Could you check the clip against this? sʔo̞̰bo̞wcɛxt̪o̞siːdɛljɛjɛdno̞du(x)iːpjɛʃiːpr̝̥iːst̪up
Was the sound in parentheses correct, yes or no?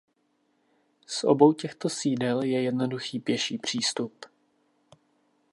yes